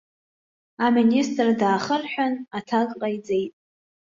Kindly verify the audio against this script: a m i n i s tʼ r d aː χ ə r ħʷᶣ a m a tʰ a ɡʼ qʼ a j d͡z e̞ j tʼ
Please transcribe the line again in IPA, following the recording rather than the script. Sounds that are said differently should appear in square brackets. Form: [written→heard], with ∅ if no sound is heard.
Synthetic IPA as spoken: a m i n i s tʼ r d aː χ ə r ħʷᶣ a [m→n] a tʰ a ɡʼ qʼ a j d͡z e̞ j tʼ